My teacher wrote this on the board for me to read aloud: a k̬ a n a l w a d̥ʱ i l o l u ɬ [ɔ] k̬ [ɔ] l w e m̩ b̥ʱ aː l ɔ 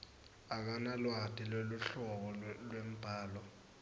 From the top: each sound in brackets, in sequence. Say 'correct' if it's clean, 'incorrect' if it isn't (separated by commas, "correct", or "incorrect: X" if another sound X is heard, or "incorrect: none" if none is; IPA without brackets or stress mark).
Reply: correct, correct